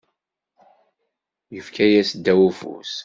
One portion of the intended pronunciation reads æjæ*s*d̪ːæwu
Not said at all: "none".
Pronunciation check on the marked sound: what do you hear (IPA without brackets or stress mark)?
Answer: s